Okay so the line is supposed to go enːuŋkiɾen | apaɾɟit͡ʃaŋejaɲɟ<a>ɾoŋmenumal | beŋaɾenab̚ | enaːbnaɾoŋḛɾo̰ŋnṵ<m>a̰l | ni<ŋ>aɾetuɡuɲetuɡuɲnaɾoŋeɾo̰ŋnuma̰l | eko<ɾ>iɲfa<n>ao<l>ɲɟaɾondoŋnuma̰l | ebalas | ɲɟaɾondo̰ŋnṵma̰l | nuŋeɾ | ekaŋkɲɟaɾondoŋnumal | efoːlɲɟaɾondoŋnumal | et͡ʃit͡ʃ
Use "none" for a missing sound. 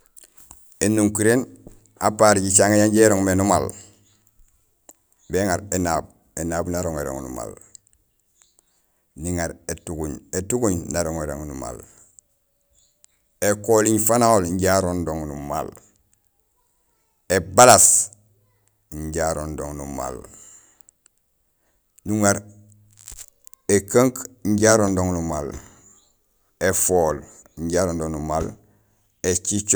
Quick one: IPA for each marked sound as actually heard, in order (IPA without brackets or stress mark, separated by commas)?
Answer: e, m, ŋ, l, n, l